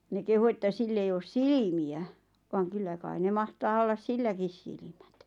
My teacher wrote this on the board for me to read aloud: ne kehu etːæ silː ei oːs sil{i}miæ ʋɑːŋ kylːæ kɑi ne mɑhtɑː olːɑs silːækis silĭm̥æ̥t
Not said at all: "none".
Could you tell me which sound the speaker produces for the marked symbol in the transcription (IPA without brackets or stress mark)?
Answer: i